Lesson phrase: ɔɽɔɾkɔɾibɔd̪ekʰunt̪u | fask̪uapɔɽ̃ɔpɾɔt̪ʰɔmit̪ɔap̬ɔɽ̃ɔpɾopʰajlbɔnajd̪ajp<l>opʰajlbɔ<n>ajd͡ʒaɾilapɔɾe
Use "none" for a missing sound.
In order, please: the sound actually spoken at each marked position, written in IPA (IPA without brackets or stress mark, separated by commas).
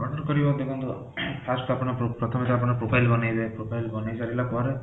ɾ, n